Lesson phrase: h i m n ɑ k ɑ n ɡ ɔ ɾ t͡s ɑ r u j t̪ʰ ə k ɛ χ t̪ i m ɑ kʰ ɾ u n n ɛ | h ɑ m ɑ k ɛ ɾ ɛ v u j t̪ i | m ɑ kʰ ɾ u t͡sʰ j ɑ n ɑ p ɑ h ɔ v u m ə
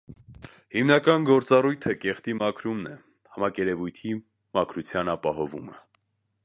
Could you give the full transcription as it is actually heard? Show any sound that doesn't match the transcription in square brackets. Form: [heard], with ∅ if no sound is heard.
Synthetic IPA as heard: h i m n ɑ k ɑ n ɡ ɔ ɾ t͡s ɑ r u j t̪ʰ ə k ɛ χ t̪ i m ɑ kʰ ɾ u [m] n ɛ | h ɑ m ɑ k ɛ ɾ ɛ v u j [t̪ʰ] i | m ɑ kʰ ɾ u t͡sʰ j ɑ n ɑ p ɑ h ɔ v u m ə